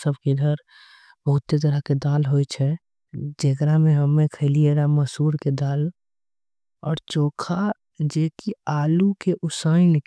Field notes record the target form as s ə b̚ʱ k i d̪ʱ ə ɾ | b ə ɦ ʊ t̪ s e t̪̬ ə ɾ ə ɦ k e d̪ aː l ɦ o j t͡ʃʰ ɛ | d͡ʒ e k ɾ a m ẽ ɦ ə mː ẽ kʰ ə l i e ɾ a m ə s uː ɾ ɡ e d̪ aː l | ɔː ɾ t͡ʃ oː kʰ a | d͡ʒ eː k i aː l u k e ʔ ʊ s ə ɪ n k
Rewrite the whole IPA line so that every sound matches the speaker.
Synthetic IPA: s ə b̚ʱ k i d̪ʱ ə ɾ | b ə ɦ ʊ t̪ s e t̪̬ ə ɾ ə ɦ k e d̪ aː l ɦ o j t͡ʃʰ ɛ | d͡ʒ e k ɾ a m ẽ ɦ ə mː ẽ kʰ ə l i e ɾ a m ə s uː ɾ k e d̪ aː l | ɔː ɾ t͡ʃ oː kʰ a | d͡ʒ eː k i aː l u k e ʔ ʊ s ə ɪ n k